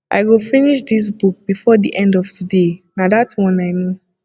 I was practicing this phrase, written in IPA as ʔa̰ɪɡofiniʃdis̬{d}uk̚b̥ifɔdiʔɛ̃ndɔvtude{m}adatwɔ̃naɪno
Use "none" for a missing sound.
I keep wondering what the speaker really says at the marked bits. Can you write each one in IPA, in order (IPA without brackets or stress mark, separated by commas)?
b, n